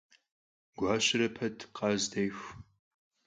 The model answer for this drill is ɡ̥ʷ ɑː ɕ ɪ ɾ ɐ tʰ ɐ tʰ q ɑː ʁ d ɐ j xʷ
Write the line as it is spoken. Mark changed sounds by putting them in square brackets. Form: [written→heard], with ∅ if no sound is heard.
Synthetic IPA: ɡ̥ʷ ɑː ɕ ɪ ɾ ɐ [tʰ→pʰ] ɐ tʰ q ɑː [ʁ→z] d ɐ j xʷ